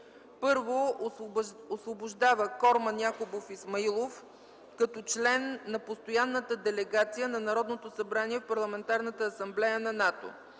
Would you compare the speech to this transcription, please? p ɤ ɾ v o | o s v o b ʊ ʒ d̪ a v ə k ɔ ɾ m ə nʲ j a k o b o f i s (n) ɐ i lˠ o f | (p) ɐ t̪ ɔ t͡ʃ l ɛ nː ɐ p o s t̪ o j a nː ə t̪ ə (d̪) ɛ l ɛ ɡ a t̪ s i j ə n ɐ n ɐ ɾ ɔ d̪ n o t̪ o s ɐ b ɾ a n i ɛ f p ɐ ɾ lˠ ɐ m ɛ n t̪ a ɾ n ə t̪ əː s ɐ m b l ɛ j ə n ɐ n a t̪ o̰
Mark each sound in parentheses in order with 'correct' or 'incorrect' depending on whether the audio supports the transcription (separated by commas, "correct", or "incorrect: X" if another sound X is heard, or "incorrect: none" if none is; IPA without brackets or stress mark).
incorrect: m, incorrect: k, correct